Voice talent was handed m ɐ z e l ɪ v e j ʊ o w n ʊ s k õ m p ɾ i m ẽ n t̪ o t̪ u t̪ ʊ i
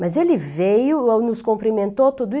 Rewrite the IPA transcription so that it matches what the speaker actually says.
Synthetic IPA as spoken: m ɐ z e l ɪ v e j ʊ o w n ʊ s k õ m p ɾ i m ẽ n t̪ o t̪ u d̪ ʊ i